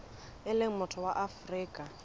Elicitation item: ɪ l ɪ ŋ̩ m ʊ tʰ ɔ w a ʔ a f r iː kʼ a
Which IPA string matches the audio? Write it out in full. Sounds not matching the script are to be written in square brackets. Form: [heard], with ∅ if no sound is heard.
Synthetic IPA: ɪ l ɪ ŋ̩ m ʊ tʰ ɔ w a ʔ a f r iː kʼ a